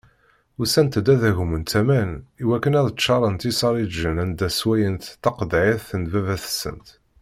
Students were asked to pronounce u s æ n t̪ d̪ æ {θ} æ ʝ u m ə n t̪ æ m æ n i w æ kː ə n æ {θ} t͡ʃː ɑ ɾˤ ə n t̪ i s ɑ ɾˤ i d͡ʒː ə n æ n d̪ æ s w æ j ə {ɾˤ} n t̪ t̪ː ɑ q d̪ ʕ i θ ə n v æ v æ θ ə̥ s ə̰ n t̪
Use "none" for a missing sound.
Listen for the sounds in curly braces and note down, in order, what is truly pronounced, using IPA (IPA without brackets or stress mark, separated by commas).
ð, ð, none